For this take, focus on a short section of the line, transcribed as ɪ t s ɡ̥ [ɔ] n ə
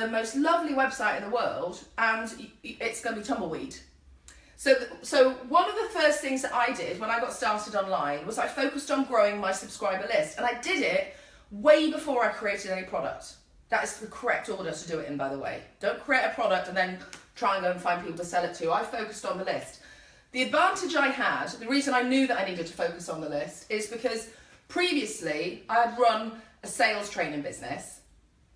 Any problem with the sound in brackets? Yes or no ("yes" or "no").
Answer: yes